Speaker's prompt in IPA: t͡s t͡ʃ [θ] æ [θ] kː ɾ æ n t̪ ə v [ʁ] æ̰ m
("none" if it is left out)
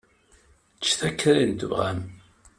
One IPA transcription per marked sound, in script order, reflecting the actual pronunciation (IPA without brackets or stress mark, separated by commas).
θ, none, ʁ